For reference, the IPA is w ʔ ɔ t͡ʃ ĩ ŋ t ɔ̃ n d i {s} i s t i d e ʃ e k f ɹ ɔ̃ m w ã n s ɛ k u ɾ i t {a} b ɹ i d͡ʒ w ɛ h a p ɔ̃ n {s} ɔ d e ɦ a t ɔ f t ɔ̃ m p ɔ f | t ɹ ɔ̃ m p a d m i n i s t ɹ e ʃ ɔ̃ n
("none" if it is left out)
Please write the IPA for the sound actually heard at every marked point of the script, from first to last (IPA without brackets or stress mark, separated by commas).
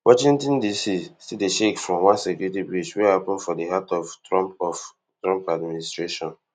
s, i, f